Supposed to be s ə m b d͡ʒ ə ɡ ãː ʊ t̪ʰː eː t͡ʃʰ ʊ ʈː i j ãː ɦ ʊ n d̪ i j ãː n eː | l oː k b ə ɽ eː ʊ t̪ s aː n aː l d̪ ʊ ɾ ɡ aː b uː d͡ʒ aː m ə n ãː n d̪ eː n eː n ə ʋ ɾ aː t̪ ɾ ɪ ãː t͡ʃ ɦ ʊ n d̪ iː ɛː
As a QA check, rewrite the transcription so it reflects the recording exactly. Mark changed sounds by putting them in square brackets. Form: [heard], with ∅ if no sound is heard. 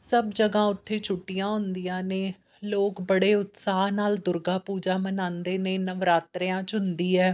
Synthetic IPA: s ə [∅] b d͡ʒ ə ɡ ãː ʊ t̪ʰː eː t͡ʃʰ ʊ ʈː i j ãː ɦ ʊ n d̪ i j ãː n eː | l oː k b ə ɽ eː ʊ t̪ s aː n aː l d̪ ʊ ɾ ɡ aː [p] uː d͡ʒ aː m ə n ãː n d̪ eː n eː n ə ʋ ɾ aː t̪ ɾ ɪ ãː t͡ʃ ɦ ʊ n d̪ iː ɛː

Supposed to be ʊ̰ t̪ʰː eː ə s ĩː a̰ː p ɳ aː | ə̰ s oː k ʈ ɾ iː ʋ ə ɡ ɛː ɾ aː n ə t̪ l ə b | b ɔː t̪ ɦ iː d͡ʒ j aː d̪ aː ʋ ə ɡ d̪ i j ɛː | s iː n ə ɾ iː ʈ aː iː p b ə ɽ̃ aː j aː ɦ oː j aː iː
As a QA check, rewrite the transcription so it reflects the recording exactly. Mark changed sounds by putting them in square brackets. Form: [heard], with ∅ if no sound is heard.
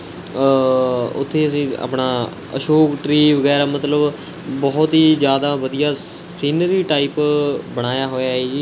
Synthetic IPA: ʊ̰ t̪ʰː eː ə s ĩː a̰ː p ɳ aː | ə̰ [ʃ] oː k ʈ ɾ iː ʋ ə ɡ ɛː ɾ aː [m] ə t̪ l ə b | b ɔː t̪ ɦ iː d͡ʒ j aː d̪ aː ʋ ə [∅] d̪ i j [aː] | s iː n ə ɾ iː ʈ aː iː p b ə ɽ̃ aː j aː ɦ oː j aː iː

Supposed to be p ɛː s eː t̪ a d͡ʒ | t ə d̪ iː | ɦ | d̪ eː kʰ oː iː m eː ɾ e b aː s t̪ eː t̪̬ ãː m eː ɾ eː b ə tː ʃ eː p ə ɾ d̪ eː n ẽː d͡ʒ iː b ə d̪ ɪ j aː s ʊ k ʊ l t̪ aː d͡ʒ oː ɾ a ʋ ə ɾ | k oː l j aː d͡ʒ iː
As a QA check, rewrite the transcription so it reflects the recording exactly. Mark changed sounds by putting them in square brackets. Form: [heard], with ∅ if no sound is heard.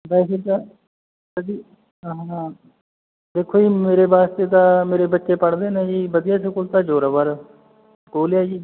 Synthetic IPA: [b] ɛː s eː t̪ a [∅] | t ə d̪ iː | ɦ | d̪ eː kʰ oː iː m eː ɾ e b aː s t̪ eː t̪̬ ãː m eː ɾ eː b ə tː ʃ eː p ə [ɽ] d̪ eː n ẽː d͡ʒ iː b ə d̪ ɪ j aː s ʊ k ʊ l t̪ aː d͡ʒ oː ɾ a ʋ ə ɾ | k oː l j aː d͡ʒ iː

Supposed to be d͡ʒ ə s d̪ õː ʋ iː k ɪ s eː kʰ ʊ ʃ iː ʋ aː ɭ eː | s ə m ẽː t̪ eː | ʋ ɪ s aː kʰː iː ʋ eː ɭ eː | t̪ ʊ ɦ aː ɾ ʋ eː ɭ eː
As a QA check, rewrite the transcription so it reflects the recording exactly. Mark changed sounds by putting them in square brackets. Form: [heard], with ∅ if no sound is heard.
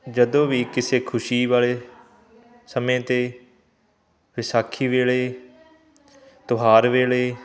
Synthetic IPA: d͡ʒ ə [∅] d̪ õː ʋ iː k ɪ s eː kʰ ʊ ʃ iː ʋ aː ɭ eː | s ə m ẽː t̪ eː | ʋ ɪ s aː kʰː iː ʋ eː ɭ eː | t̪ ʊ ɦ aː ɾ ʋ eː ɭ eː

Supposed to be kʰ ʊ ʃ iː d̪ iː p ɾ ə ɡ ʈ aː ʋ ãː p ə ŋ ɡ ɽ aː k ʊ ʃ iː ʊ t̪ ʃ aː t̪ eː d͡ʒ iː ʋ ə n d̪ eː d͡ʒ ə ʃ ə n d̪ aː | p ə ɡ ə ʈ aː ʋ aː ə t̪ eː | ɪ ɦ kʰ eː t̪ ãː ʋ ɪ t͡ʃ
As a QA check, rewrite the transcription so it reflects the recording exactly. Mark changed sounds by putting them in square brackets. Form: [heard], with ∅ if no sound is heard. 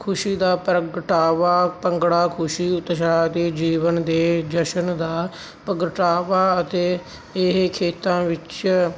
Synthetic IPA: kʰ ʊ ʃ iː d̪ [aː] p ɾ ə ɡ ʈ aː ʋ [aː] p ə ŋ ɡ ɽ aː [kʰ] ʊ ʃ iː ʊ t̪ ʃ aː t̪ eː d͡ʒ iː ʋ ə n d̪ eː d͡ʒ ə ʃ ə n d̪ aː | p ə ɡ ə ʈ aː ʋ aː ə t̪ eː | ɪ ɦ kʰ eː t̪ ãː ʋ ɪ t͡ʃ

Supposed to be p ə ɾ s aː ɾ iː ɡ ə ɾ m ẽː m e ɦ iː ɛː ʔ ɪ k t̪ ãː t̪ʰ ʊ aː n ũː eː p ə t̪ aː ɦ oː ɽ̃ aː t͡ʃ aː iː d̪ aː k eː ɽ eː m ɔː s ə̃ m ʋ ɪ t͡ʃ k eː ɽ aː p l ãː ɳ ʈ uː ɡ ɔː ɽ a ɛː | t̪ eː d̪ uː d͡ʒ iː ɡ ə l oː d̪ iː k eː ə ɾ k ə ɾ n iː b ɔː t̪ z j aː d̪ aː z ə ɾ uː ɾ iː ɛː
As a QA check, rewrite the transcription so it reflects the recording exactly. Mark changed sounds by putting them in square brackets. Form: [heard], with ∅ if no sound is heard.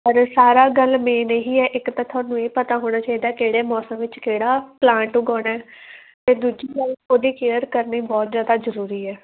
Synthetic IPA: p ə ɾ s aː ɾ [aː] ɡ ə [l] m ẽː [n] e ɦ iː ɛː ʔ ɪ k t̪ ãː t̪ʰ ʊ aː n ũː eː p ə t̪ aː ɦ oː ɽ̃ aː t͡ʃ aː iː d̪ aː k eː ɽ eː m ɔː s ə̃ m ʋ ɪ t͡ʃ k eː ɽ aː p l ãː ɳ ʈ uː ɡ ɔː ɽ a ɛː | t̪ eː d̪ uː d͡ʒ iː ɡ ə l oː d̪ iː k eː ə ɾ k ə ɾ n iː b ɔː t̪ z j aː d̪ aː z ə ɾ uː ɾ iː ɛː

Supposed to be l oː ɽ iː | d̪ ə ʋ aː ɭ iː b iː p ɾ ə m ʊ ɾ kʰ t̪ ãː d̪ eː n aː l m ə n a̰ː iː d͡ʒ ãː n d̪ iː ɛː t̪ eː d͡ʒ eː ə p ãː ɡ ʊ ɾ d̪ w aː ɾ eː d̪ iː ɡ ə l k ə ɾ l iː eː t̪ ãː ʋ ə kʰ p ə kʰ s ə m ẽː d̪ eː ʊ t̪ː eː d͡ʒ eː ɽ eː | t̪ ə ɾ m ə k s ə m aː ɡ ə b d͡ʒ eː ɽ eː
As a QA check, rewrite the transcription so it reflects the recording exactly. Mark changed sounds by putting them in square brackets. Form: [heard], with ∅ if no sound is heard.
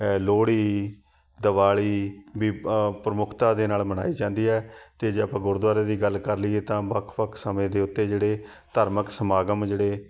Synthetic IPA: l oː ɽ iː | d̪ ə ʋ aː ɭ iː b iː p ɾ ə m ʊ [∅] kʰ t̪ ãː d̪ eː n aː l m ə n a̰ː iː d͡ʒ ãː n d̪ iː ɛː t̪ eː d͡ʒ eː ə p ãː ɡ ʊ ɾ d̪ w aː ɾ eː d̪ iː ɡ ə l k ə ɾ l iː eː t̪ ãː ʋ ə kʰ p ə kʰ s ə m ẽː d̪ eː ʊ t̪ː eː d͡ʒ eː ɽ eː | t̪ ə ɾ m ə k s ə m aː ɡ ə [m] d͡ʒ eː ɽ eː

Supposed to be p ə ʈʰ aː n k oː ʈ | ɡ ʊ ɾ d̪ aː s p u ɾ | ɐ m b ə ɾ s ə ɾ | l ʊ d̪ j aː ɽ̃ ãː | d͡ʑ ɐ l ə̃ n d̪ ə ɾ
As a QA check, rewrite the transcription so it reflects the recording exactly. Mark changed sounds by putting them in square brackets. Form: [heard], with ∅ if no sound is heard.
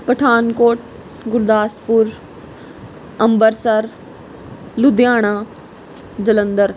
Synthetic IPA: p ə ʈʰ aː n k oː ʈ | ɡ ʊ ɾ d̪ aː s p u ɾ | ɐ m b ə ɾ s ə ɾ | l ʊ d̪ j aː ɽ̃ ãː | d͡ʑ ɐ l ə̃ n d̪ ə ɾ

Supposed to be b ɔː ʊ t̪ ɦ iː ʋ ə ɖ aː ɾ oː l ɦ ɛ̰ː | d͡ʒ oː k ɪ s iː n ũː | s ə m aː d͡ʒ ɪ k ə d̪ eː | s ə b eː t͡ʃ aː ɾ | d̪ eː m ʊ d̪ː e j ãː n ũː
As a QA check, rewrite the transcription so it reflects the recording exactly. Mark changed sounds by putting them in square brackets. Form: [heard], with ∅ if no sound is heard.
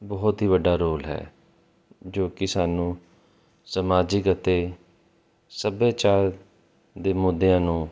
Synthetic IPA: b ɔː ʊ t̪ ɦ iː ʋ ə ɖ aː ɾ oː l ɦ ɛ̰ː | d͡ʒ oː k ɪ s [aː] n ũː | s ə m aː d͡ʒ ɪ k ə [t̪] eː | s ə b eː t͡ʃ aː ɾ | d̪ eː m ʊ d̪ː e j ãː n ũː

